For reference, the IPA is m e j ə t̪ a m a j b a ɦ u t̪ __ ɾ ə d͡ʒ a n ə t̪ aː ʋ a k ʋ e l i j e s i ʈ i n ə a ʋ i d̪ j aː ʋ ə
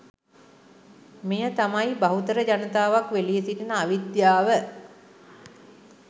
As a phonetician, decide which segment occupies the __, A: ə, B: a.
A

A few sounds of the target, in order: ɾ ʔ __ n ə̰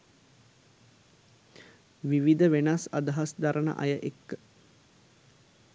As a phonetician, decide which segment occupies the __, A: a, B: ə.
B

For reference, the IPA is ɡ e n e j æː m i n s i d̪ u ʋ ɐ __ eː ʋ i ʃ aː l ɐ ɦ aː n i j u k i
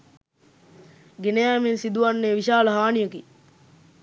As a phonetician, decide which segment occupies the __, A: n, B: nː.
B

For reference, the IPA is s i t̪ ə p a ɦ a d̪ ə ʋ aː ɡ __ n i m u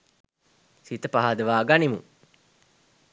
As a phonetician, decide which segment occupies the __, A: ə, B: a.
B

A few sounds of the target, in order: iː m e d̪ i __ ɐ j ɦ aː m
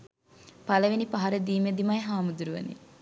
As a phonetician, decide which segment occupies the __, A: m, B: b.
A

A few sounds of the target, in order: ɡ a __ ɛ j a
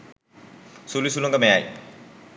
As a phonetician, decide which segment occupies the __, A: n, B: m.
B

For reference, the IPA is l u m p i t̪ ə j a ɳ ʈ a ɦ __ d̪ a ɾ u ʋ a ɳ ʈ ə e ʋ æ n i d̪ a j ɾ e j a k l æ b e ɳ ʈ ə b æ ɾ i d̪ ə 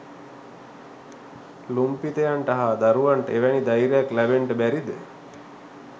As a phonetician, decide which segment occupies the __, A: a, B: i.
A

